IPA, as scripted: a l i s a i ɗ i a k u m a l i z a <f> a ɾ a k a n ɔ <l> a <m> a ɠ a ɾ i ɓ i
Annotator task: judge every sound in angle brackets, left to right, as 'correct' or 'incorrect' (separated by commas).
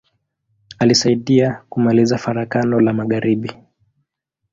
correct, correct, correct